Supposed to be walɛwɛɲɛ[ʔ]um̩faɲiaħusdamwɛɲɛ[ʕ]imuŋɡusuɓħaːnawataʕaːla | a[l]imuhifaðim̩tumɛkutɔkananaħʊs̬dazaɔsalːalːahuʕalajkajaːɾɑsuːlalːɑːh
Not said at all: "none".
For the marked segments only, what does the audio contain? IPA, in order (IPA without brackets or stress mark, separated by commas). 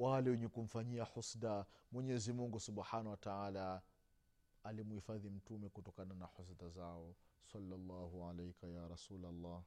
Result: k, z, l